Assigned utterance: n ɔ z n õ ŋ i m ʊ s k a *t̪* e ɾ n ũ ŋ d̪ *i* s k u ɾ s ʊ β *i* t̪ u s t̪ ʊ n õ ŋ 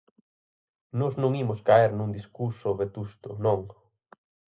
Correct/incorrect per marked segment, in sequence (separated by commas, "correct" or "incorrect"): incorrect, correct, incorrect